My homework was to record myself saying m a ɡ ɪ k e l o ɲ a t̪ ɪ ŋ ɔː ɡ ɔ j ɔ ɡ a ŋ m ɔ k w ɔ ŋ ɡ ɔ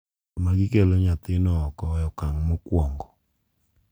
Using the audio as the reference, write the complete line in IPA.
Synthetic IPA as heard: m a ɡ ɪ k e l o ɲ a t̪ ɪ n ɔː k ɔ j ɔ k a ŋ m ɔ k w ɔ ŋ ɡ ɔ